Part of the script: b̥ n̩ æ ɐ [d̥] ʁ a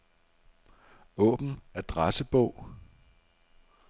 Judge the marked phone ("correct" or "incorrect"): correct